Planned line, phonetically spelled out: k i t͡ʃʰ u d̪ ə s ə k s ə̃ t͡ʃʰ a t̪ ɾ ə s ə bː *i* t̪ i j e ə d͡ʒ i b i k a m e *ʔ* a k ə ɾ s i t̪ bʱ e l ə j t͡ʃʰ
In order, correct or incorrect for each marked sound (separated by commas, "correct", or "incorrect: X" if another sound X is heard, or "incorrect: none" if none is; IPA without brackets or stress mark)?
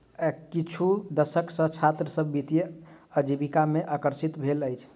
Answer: correct, correct